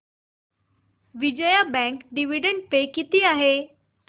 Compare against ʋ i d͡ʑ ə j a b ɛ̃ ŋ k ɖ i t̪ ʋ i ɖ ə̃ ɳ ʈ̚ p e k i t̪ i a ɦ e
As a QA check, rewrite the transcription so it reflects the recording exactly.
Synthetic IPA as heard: ʋ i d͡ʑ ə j a b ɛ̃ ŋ k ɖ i ʋ i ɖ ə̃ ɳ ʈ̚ p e k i t̪ i a ɦ e